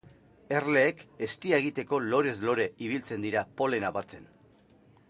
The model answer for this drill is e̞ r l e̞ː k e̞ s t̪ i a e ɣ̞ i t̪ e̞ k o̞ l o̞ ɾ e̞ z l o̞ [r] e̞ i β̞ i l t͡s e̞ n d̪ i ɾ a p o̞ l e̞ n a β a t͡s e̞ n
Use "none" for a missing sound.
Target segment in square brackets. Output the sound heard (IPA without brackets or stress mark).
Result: ɾ